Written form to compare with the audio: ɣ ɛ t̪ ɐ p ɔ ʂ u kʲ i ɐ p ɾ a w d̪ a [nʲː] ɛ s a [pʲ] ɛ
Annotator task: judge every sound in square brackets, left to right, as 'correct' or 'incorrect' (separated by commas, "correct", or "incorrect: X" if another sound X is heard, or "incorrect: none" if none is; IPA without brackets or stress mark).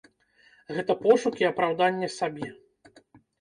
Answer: correct, incorrect: bʲ